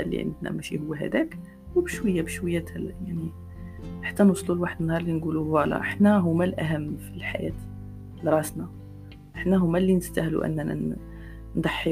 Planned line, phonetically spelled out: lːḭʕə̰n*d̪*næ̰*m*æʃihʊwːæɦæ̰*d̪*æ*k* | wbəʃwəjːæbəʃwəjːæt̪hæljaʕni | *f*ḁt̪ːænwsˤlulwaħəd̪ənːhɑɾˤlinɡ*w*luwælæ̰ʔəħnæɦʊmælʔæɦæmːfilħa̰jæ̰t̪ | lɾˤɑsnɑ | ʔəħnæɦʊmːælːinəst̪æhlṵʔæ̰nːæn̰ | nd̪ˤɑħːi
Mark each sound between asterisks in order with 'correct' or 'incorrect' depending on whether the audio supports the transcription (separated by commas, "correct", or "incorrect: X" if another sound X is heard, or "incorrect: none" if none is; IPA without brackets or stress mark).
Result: correct, correct, correct, correct, incorrect: ħ, incorrect: u